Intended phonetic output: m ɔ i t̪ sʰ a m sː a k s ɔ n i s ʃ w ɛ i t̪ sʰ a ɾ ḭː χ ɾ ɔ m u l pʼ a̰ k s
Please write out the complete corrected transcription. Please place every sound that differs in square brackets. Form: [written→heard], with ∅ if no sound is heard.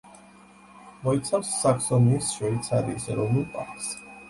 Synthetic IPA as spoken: m ɔ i t̪ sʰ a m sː a k s ɔ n i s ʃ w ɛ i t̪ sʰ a ɾ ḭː [χ→s] ɾ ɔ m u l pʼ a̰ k s